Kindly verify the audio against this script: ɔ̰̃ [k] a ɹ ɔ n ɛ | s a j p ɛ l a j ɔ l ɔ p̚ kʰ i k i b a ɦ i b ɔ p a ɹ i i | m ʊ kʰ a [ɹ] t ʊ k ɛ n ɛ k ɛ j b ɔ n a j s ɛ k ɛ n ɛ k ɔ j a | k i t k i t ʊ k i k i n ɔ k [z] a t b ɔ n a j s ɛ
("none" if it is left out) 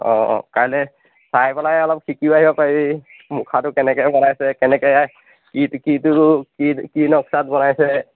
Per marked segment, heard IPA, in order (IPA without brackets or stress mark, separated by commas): k, none, s